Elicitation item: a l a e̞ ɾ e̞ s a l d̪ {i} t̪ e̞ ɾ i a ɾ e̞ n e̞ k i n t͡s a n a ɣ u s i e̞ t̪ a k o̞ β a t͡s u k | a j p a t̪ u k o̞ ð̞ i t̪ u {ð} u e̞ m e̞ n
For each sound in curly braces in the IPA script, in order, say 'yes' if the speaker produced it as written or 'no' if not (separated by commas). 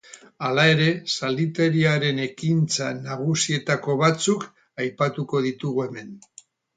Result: yes, no